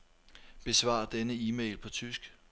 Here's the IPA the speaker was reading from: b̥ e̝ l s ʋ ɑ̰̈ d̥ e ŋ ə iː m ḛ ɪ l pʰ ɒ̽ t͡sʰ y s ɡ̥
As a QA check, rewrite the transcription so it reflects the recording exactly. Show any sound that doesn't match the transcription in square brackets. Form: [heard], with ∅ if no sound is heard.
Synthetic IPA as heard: b̥ e̝ [∅] s ʋ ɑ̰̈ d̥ e [n] ə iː m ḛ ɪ l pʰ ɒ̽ t͡sʰ y s ɡ̥